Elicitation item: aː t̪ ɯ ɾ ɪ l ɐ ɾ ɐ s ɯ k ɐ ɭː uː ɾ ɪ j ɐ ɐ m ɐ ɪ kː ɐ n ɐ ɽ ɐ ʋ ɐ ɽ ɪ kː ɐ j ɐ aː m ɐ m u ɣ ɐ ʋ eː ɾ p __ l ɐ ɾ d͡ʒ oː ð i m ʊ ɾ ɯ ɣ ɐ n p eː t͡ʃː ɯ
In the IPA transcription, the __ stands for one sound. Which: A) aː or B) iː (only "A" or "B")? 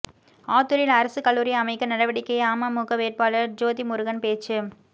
A